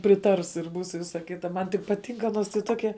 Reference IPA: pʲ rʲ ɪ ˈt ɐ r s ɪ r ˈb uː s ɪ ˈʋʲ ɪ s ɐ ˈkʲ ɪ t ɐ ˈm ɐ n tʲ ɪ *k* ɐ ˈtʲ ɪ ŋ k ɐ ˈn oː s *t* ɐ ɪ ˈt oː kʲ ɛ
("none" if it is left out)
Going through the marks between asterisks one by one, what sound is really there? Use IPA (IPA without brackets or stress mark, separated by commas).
p, t